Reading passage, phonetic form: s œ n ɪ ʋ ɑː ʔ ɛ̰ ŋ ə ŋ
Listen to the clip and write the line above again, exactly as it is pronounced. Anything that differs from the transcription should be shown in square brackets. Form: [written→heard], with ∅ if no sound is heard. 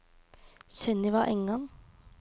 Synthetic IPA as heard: s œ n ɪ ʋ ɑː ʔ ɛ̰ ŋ [ə→ɑ] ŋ